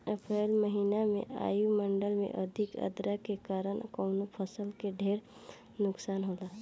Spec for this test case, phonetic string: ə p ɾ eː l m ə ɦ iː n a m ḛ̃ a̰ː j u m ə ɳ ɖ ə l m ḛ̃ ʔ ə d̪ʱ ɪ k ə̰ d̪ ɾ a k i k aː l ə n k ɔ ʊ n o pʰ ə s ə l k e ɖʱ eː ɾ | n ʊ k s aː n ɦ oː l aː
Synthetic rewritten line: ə p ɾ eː l m ə ɦ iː n a m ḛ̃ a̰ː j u m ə ɳ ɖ ə l m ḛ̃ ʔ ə d̪ʱ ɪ k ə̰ d̪ ɾ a k e k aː ɾ ə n k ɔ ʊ n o pʰ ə s ə l k e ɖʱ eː ɾ | n ʊ k s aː n ɦ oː l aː